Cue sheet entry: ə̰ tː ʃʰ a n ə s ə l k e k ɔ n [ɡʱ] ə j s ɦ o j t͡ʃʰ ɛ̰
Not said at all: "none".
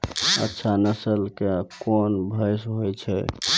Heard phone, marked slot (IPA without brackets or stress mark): bʱ